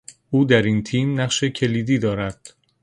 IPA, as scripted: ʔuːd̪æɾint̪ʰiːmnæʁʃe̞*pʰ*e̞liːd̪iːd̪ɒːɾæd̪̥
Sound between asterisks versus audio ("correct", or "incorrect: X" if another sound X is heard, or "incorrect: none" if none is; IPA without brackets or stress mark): incorrect: cʰ